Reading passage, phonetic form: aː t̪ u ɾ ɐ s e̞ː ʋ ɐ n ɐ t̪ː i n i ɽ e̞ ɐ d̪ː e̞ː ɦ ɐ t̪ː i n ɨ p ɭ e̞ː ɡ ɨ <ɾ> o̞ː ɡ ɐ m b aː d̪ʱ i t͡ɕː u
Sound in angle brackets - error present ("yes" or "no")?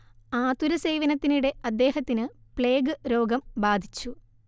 no